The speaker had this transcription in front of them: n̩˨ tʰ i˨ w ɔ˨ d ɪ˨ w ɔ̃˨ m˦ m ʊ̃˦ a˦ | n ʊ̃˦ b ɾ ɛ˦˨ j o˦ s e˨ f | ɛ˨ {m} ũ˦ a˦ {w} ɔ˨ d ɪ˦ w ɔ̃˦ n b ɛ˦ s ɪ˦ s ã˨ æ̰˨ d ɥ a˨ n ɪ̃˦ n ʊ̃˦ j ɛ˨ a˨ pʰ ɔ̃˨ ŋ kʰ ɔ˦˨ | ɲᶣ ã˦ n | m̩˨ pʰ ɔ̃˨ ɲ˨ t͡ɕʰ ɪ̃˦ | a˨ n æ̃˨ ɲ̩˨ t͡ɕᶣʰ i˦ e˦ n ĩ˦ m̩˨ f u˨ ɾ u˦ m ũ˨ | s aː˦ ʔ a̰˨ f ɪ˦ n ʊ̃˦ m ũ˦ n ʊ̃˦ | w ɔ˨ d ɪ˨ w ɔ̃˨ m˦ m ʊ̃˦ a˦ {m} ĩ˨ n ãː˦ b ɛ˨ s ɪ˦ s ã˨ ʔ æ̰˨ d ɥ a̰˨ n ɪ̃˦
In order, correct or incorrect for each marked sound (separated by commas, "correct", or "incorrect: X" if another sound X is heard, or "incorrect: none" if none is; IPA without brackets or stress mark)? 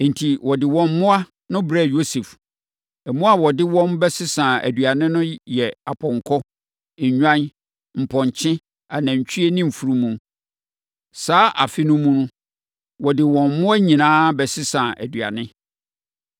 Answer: correct, correct, incorrect: ɲ